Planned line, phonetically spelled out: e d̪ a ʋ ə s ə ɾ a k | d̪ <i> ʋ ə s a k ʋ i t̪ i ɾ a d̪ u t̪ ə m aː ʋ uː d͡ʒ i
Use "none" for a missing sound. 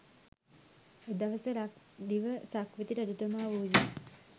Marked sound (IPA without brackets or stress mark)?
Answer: i